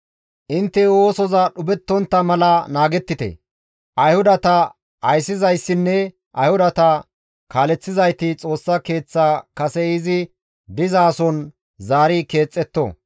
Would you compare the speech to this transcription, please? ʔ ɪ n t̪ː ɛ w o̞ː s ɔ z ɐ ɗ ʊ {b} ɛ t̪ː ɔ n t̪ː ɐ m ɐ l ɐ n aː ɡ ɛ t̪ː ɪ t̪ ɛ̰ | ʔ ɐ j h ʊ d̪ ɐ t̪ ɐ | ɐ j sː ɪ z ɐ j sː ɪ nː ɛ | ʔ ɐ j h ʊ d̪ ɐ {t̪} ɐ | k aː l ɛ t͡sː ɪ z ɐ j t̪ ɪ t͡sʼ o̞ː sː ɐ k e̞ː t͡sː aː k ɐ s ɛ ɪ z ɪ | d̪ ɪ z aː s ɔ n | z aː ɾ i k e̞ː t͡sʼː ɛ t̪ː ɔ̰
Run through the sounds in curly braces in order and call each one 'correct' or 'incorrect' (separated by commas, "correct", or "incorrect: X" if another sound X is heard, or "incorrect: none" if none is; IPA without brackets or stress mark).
correct, correct